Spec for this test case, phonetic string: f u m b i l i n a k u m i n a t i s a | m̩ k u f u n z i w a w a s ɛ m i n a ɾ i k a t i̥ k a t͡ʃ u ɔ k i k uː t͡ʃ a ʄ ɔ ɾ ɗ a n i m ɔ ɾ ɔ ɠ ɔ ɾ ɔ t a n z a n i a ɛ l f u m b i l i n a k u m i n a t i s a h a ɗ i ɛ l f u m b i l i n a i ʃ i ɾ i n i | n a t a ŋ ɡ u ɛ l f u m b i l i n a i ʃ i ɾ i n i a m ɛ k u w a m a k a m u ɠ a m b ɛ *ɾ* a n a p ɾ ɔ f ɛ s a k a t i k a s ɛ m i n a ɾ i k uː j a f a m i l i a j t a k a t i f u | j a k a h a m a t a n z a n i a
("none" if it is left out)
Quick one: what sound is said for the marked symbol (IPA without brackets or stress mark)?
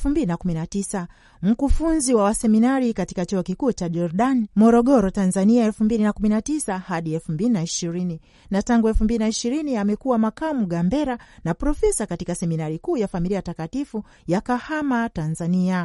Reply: ɾ